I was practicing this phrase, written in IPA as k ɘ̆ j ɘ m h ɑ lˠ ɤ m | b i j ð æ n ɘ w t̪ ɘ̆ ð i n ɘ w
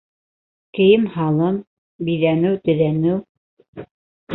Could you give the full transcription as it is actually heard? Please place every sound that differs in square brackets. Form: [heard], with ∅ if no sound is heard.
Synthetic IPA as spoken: k ɘ̆ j ɘ m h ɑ lˠ ɤ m | b i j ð æ n ɘ w t̪ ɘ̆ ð [æ] n ɘ w